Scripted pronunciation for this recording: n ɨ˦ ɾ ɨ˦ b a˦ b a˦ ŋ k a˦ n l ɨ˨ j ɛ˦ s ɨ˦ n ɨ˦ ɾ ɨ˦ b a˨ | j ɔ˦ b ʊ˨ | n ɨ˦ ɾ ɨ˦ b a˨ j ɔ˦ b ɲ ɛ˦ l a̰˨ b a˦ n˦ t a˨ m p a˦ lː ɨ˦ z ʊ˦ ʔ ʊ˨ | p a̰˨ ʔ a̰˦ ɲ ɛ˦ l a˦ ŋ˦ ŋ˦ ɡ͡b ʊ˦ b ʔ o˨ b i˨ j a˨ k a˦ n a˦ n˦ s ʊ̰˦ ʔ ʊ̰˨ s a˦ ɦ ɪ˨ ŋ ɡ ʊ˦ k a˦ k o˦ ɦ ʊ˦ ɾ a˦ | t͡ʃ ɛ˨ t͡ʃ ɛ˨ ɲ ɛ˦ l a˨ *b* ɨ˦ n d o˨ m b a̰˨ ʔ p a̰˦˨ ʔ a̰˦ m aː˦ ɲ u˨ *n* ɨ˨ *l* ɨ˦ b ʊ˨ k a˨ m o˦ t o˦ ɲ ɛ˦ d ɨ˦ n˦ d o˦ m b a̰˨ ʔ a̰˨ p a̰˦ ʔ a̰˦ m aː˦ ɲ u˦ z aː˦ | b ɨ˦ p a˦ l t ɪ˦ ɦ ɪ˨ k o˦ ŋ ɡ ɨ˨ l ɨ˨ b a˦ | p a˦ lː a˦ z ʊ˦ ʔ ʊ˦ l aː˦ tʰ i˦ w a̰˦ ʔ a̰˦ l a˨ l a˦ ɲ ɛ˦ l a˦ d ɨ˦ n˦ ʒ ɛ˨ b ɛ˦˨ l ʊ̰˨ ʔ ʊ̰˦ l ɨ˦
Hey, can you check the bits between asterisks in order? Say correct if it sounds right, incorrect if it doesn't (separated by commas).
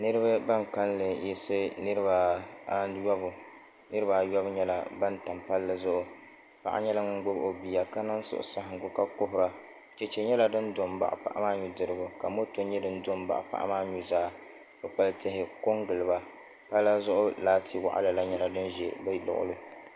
incorrect, incorrect, incorrect